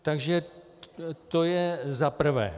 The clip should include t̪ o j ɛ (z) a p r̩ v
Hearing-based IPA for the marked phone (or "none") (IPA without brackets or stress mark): z